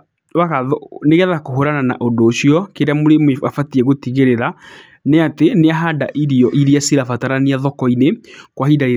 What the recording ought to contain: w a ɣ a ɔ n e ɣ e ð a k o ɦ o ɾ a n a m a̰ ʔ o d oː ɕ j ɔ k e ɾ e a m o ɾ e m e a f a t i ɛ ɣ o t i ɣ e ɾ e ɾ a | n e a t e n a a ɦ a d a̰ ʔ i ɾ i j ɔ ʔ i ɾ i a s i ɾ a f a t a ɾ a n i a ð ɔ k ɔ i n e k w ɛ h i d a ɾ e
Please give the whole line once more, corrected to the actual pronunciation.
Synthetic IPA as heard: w a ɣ a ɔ n e ɣ ɛ ð a k o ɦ o ɾ a n a n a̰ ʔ o d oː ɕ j ɔ k e ɾ e a m o ɾ e m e a f a t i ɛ ɣ o t i ɣ e ɾ e ɾ a | n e a t e n e a ɦ a d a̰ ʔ i ɾ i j ɔ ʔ i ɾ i a s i ɾ a f a t a ɾ a n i a ð ɔ k ɔ i n e k w a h i d a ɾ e